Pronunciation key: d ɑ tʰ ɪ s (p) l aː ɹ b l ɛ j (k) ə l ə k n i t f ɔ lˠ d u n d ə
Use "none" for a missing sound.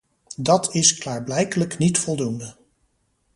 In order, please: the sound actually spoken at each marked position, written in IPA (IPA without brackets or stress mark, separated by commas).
k, k